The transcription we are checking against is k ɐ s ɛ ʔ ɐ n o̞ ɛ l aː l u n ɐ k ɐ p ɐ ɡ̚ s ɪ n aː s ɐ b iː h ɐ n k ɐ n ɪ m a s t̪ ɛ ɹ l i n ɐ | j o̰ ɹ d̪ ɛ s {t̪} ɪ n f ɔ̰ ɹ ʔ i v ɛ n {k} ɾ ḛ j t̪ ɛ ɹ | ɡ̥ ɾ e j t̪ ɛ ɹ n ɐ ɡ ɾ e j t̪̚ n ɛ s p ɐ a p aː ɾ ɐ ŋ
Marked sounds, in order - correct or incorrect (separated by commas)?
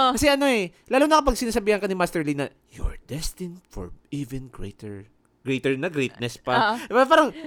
correct, incorrect